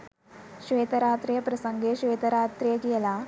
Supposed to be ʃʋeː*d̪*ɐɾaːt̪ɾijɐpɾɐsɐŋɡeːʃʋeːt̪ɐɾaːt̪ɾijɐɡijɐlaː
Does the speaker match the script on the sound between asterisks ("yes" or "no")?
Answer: no